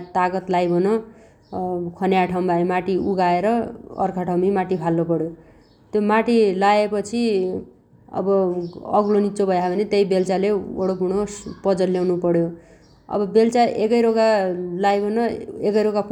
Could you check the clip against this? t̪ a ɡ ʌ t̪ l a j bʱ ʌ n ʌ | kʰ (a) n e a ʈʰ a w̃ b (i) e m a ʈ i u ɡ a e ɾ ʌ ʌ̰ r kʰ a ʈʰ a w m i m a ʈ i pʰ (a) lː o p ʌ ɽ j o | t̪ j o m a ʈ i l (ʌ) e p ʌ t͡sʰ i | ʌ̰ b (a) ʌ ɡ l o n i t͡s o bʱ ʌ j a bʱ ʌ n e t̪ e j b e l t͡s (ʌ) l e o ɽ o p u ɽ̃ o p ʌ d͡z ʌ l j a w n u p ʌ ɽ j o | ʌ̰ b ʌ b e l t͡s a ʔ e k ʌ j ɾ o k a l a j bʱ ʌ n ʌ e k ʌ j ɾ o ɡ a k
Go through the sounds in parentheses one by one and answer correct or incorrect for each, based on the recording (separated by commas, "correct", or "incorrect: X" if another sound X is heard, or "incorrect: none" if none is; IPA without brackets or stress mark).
incorrect: ʌ, incorrect: a, correct, incorrect: a, incorrect: ʌ, incorrect: a